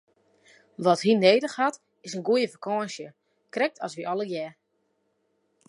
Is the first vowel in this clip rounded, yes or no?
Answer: yes